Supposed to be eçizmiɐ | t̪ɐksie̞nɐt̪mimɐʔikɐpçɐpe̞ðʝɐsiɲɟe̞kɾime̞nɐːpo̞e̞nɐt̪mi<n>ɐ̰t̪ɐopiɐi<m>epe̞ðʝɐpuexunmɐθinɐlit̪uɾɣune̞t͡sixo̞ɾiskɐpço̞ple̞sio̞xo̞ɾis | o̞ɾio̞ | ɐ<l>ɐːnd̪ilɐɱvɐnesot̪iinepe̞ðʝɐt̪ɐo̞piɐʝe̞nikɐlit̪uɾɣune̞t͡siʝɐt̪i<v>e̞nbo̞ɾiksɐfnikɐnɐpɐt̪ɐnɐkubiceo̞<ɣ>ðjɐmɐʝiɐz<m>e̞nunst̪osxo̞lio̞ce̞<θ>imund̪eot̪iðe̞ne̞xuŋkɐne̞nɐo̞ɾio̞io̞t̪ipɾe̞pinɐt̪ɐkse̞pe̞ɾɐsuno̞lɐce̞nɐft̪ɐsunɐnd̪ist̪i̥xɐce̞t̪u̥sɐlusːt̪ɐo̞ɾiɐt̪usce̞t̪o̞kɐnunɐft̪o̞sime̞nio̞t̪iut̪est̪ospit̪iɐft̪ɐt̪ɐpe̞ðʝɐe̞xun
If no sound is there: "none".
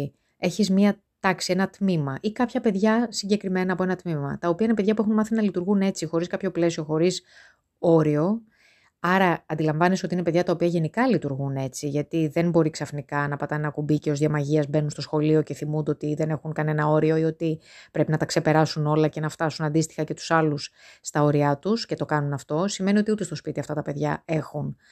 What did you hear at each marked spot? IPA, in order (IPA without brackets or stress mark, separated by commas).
m, n, ɾ, ð, z, b, θ